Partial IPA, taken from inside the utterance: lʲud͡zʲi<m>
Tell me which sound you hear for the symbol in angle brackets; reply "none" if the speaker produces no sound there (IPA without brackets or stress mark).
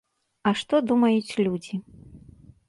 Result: none